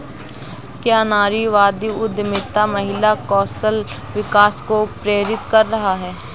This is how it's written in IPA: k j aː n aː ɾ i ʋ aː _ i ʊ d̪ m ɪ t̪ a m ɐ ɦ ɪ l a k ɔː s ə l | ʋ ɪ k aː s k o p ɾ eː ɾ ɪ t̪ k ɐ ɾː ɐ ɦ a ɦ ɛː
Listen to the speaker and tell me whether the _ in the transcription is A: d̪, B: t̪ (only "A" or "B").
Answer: A